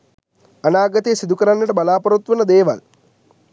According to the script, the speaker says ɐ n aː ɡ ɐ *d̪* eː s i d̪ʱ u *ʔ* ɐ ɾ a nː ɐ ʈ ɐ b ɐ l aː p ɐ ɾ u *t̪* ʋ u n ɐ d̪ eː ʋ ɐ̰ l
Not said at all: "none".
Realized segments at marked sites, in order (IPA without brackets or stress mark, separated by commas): t̪, k, t̪